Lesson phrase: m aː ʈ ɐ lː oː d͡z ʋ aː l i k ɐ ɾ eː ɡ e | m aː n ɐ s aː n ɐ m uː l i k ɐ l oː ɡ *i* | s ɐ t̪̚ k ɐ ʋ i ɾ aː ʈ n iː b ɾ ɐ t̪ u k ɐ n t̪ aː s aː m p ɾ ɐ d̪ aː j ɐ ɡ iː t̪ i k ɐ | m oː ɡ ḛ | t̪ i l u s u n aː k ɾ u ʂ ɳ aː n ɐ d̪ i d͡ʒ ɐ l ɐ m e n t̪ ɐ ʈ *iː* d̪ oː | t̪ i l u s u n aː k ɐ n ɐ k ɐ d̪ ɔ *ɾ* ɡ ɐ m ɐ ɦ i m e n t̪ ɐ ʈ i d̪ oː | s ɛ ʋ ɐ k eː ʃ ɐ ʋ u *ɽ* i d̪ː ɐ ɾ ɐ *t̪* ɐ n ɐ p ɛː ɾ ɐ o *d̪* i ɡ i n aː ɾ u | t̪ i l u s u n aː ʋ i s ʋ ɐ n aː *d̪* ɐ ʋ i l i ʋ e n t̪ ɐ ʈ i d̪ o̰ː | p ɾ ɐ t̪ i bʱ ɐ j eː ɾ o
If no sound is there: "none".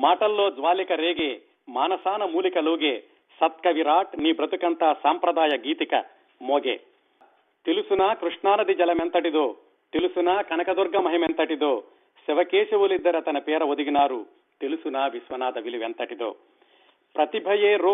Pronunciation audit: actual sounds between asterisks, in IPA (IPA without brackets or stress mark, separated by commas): e, i, ɾ, l, t̪, d̪, d̪